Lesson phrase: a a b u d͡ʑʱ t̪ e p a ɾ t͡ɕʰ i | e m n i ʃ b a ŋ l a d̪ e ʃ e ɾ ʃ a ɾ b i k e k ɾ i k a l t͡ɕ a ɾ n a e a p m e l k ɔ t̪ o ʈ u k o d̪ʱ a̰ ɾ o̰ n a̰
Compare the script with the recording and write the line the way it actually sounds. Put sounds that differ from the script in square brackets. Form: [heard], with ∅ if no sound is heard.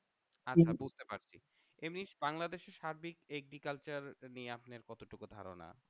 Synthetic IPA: a a b u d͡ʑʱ t̪ e p a ɾ t͡ɕʰ i | e m n i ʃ b a ŋ l a d̪ e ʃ e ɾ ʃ a ɾ b i k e [ɡ] ɾ i k a l t͡ɕ a ɾ n [i] e a p [n] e [ɾ] k ɔ t̪ o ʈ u k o d̪ʱ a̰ ɾ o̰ n a̰